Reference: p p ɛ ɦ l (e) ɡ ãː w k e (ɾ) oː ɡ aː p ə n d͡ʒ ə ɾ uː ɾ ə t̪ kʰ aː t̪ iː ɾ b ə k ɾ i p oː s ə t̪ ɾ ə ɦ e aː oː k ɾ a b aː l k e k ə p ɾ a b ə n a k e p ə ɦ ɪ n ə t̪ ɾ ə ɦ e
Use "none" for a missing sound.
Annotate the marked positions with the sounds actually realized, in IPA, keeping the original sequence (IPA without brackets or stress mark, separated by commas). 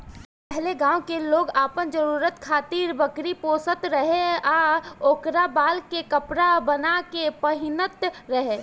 e, l